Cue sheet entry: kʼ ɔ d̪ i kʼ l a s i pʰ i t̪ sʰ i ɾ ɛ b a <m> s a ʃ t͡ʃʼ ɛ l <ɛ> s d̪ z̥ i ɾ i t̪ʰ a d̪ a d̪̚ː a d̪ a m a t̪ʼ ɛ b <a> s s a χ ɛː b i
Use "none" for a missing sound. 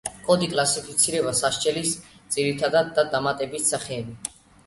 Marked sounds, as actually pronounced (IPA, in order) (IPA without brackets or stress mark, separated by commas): none, i, i